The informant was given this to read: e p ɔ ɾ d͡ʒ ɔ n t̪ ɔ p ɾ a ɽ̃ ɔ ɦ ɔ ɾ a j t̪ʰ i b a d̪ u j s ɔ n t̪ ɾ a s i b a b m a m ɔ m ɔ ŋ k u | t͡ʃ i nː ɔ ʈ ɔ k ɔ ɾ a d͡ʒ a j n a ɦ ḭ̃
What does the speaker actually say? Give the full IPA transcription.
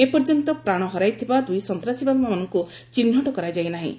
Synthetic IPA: e p ɔ ɾ d͡ʒ ɔ n t̪ ɔ p ɾ a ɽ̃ ɔ ɦ ɔ ɾ a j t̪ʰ i b a d̪ u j s ɔ n t̪ ɾ a s i b a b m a m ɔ n ɔ ŋ k u | t͡ʃ i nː ɔ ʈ ɔ k ɔ ɾ a d͡ʒ a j n a ɦ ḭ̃